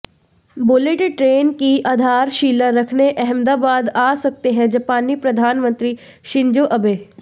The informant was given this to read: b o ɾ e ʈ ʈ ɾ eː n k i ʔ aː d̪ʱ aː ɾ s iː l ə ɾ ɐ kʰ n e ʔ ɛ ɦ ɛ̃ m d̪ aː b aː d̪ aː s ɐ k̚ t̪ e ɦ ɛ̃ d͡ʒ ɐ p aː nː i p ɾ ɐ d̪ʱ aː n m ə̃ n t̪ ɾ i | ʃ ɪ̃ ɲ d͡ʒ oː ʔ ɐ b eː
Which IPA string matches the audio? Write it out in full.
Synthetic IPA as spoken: b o l e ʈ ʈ ɾ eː n k i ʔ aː d̪ʱ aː ɾ ʃ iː l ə ɾ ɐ kʰ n e ʔ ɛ ɦ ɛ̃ m d̪ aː b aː d̪ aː s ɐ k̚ t̪ e ɦ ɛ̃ d͡ʒ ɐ p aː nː i p ɾ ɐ d̪ʱ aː n m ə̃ n t̪ ɾ i | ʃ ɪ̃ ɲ d͡ʒ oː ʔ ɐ b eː